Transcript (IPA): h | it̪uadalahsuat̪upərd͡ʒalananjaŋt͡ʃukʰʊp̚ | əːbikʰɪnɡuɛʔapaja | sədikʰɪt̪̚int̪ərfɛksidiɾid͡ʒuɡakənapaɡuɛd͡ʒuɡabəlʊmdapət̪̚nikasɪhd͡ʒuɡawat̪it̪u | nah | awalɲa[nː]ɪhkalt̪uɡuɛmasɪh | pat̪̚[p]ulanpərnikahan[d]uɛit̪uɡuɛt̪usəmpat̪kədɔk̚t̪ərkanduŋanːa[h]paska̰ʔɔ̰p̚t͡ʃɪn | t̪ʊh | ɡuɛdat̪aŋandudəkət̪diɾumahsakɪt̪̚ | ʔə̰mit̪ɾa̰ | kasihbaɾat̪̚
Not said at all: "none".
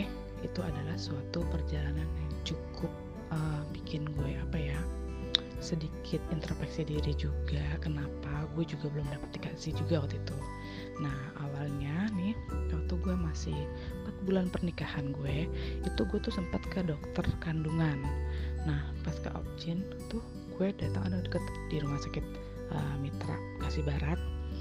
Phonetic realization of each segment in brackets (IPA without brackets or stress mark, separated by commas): n, b, ɡ, h